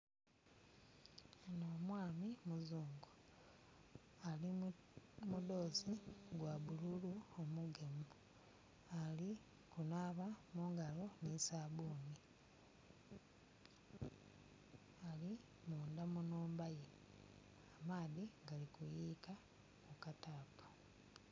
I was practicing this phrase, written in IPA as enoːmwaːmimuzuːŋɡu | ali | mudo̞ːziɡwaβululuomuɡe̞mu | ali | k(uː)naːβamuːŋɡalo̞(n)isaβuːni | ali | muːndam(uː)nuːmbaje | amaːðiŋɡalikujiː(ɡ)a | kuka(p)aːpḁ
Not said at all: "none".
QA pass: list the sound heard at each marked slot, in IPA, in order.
u, n, u, k, t

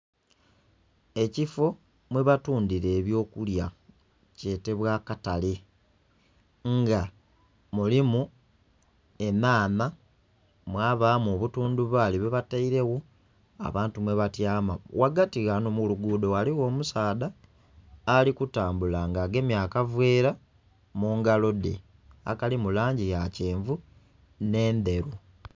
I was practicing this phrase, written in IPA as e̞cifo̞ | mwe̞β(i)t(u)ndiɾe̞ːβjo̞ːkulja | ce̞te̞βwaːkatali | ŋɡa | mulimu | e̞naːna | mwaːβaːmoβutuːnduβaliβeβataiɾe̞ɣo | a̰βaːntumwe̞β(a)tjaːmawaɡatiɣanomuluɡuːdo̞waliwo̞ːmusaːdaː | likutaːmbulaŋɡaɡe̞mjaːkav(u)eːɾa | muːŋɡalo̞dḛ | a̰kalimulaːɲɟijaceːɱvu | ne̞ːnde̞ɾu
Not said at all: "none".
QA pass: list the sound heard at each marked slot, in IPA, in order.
a, uː, a, w

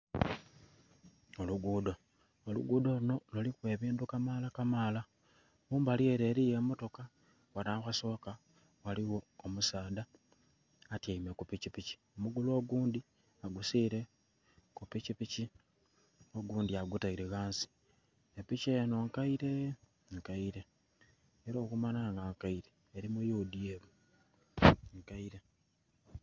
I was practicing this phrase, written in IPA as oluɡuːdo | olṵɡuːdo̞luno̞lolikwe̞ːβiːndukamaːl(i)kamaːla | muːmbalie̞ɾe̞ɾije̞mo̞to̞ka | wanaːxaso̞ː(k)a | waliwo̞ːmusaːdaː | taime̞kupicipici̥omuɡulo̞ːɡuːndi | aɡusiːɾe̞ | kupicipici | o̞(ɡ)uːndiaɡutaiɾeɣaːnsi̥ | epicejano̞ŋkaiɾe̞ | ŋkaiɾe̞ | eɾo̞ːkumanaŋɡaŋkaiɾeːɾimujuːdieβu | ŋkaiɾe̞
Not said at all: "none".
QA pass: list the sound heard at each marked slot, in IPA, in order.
a, k, ɡ

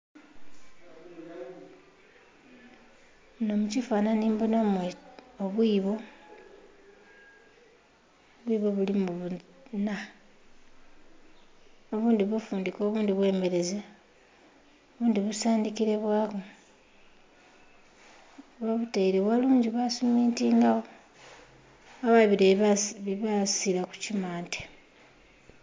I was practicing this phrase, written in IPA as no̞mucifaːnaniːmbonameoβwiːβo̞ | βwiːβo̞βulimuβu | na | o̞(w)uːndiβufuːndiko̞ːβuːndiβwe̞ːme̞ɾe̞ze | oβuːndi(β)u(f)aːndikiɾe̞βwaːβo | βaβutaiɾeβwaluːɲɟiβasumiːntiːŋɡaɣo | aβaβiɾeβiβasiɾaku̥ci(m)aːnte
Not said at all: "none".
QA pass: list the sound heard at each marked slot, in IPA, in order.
β, β, s, m

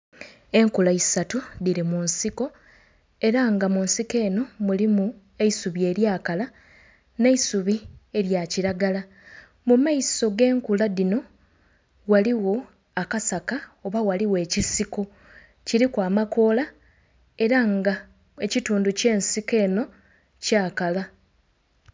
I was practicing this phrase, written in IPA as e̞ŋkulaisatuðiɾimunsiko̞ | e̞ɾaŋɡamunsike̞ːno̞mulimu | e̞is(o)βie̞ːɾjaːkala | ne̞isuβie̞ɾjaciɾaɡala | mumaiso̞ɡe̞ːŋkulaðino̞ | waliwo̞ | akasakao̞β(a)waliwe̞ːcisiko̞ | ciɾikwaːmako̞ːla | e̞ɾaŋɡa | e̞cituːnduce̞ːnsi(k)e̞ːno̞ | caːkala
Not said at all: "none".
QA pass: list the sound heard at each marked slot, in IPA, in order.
u, a, k

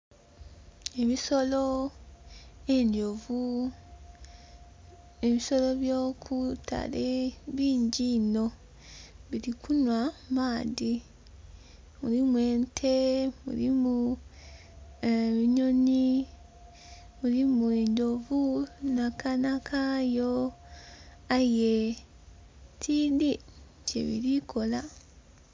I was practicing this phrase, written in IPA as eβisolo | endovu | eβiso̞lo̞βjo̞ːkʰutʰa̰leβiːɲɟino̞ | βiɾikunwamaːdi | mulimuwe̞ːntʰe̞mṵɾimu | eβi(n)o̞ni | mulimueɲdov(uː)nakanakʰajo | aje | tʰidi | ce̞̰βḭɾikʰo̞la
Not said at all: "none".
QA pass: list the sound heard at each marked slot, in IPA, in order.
ɲ, u

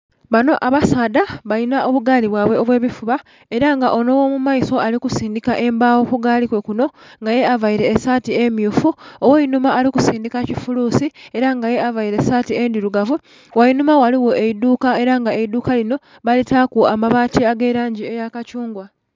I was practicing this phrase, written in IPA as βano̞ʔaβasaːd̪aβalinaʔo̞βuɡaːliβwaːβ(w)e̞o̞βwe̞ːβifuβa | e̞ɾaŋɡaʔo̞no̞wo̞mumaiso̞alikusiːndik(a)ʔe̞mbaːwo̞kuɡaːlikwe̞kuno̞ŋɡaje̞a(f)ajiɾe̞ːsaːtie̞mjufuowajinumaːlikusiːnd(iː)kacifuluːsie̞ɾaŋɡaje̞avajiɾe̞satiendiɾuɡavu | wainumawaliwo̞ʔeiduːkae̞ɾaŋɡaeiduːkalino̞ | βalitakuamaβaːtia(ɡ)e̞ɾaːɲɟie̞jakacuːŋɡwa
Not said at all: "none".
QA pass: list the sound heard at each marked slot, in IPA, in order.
w, a, v, i, ɡ

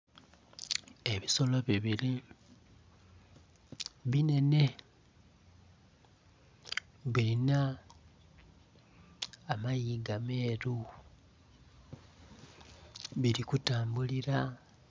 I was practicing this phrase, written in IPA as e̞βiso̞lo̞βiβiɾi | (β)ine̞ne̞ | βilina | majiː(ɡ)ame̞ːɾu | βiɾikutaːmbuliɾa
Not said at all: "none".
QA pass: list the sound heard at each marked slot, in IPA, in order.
β, ɡ

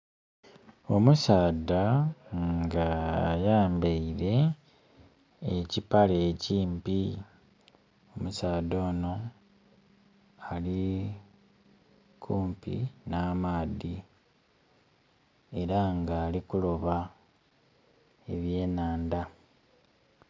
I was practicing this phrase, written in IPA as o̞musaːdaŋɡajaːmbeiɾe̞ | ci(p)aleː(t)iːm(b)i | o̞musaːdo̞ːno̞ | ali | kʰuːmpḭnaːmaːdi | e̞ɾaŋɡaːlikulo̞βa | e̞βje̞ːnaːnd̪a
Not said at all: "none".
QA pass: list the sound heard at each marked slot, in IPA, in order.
p, c, p

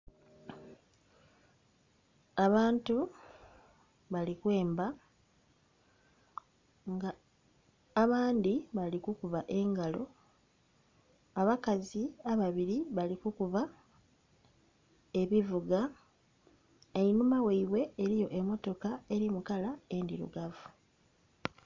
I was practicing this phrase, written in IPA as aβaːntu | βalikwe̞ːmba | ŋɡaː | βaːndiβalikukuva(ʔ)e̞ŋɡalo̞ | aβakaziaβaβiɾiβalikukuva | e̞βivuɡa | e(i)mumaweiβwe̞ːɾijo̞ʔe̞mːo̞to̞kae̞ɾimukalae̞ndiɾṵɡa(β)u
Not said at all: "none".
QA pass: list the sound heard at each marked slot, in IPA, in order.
ʔ, i, v

